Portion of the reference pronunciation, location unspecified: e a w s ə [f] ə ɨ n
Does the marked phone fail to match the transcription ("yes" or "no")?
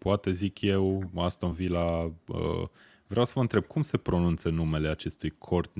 yes